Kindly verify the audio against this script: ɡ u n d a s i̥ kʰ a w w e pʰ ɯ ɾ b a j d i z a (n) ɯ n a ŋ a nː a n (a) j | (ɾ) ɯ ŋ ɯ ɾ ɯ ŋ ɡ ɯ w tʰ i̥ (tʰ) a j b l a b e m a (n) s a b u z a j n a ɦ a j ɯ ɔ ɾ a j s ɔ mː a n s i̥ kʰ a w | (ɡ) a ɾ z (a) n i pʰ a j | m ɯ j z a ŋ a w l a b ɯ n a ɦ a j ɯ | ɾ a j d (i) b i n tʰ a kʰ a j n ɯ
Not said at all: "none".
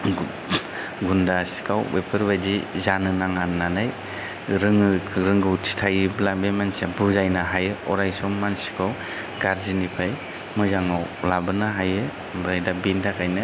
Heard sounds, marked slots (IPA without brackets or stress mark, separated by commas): n, a, ɾ, tʰ, n, ɡ, i, a